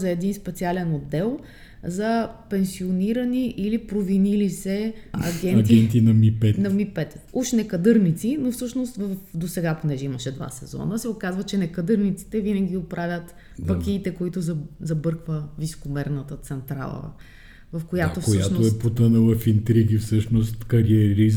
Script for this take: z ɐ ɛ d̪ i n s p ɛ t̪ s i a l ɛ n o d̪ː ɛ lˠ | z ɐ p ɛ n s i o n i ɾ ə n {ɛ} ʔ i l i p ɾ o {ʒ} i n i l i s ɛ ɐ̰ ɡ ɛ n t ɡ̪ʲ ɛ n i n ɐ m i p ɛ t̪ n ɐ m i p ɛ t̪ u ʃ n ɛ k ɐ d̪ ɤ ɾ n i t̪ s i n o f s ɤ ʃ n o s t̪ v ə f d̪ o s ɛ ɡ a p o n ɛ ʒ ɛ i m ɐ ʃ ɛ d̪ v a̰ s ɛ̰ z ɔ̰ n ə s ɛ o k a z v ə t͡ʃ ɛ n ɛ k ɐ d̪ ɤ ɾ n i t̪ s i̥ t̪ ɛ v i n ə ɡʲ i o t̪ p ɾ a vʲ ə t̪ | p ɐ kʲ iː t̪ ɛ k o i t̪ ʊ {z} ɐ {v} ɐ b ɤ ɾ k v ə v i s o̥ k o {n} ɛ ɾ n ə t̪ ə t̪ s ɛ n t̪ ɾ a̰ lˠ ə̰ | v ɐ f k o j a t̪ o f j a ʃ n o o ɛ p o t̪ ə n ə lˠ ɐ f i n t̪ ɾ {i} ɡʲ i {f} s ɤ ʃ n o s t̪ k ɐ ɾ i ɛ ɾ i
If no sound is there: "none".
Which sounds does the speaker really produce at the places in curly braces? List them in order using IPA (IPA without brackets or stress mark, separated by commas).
i, v, z, z, m, i, f